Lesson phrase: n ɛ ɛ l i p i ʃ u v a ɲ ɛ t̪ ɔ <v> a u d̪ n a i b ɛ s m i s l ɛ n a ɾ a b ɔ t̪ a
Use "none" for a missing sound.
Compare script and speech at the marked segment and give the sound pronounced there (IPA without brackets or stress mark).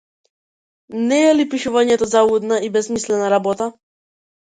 z